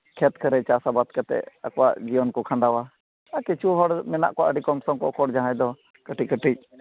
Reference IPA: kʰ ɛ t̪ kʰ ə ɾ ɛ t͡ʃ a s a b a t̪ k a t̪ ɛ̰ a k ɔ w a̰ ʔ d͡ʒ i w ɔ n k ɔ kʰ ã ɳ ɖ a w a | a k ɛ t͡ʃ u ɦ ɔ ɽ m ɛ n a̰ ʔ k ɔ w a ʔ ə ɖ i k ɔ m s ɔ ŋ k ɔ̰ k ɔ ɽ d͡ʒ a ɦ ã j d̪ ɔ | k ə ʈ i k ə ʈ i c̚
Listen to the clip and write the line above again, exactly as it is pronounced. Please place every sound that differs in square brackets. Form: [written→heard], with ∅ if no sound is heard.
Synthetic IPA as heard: kʰ ɛ t̪ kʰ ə ɾ ɛ t͡ʃ a s a b a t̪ k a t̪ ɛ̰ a k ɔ w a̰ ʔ d͡ʒ i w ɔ n k ɔ kʰ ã ɳ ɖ a w a | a k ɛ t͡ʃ u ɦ ɔ ɽ m ɛ n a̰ ʔ k ɔ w a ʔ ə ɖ i k ɔ m s ɔ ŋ k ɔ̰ k ɔ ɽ d͡ʒ a ɦ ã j d̪ ɔ | k ə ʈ i k ə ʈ i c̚